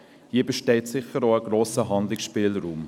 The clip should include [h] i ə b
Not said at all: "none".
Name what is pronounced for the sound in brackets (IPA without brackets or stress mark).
h